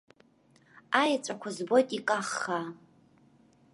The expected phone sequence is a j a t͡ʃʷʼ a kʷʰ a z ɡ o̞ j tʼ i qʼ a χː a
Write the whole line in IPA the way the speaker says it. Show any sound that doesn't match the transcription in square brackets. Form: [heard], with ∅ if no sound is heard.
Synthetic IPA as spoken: a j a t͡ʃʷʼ a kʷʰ a z [b] o̞ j tʼ i [kʼ] a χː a